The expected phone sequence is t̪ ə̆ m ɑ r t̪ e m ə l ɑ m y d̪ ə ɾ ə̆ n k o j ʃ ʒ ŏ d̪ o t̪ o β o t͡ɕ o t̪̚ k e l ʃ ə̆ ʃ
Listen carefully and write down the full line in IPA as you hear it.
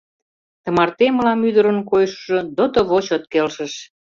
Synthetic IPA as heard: t̪ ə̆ m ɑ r t̪ e m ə l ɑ m y d̪ ə ɾ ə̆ n k o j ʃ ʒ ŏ d̪ o t̪ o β o t͡ɕ o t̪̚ k e l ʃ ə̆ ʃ